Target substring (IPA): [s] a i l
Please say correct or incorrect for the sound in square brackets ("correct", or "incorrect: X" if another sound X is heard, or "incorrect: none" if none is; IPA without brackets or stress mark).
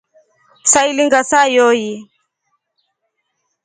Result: correct